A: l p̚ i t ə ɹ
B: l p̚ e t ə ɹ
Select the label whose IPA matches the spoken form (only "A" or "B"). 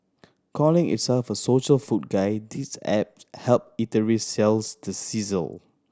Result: A